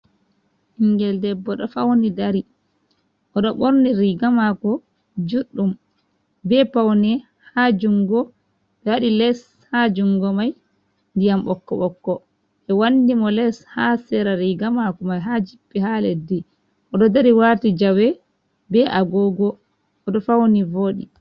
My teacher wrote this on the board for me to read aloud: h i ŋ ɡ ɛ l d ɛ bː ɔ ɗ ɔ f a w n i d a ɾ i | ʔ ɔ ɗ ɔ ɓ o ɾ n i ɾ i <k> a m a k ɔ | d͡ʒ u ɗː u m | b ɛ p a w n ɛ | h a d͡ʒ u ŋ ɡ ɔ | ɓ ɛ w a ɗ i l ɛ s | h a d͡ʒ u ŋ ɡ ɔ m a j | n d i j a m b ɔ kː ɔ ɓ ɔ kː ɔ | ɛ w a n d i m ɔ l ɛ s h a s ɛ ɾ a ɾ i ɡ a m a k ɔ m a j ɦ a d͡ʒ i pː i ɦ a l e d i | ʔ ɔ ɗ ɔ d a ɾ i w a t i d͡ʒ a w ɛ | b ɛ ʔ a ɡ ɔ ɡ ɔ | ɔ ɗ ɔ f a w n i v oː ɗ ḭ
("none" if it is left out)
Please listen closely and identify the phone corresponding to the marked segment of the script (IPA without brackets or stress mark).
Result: ɡ